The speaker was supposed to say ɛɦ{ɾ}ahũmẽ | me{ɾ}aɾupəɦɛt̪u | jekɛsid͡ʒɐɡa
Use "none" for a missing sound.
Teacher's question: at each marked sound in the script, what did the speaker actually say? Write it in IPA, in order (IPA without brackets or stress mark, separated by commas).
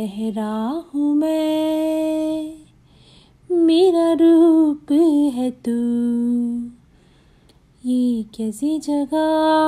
ɾ, ɾ